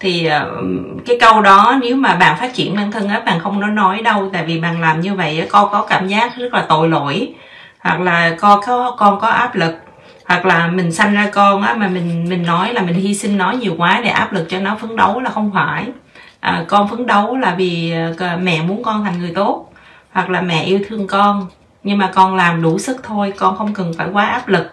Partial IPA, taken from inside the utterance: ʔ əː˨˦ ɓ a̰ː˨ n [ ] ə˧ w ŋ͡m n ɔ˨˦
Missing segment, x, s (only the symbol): x